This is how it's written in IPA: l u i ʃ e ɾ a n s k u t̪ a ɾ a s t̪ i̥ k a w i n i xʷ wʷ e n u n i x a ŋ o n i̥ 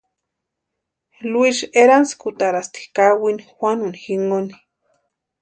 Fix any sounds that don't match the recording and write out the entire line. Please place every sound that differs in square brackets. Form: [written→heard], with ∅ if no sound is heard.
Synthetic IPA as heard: l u i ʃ e ɾ a n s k u t̪ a ɾ a s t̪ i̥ k a w i n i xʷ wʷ [e→a] n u n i x [a→i] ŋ o n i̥